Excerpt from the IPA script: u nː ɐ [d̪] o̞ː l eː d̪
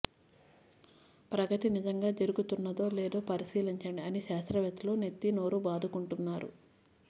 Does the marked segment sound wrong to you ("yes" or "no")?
no